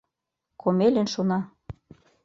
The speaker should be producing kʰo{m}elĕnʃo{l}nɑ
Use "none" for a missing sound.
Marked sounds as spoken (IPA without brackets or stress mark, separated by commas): m, none